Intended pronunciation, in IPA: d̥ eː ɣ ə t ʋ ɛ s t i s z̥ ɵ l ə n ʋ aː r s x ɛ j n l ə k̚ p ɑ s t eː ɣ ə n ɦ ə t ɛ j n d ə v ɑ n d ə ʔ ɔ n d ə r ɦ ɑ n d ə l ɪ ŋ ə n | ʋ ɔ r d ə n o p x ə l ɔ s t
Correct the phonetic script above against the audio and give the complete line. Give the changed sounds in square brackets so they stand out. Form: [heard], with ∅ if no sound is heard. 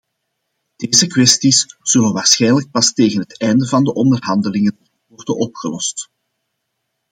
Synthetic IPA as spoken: d̥ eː [z] ə [k] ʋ ɛ s t i s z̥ ɵ l ə n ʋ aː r s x ɛ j n l ə k̚ p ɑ s t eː ɣ ə n ɦ ə t ɛ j n d ə v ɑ n d ə ʔ ɔ n d ə r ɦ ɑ n d ə l ɪ ŋ ə n | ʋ ɔ r d ə n [ɔ] p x ə l ɔ s t